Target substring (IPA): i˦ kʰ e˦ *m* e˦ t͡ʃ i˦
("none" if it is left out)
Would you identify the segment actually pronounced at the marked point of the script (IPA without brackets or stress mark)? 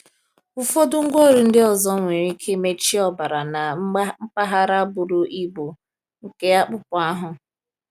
m